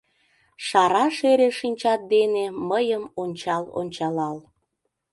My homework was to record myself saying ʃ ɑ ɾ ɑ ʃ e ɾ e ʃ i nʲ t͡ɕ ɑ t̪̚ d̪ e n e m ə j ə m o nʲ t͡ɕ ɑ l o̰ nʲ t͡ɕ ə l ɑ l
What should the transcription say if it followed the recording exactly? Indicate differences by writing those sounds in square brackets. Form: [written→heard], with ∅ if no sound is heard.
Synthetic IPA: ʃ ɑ ɾ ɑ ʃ e ɾ e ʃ i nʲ t͡ɕ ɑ t̪̚ d̪ e n e m ə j ə m o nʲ t͡ɕ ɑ l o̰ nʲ t͡ɕ [ə→ɑ] l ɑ l